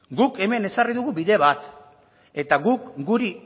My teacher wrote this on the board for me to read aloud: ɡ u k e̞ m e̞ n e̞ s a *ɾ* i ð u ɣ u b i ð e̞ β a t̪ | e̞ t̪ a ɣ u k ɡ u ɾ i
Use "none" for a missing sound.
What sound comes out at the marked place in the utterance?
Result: r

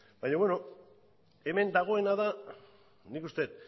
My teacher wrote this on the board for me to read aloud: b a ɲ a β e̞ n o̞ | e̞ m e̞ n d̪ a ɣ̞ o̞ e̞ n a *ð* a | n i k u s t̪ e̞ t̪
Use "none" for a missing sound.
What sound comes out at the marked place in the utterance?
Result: ð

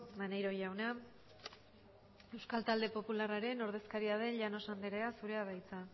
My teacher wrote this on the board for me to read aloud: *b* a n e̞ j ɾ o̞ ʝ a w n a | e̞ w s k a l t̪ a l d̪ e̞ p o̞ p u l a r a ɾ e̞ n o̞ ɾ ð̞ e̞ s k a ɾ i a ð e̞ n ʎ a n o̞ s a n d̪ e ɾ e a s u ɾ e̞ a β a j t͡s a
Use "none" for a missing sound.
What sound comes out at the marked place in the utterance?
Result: m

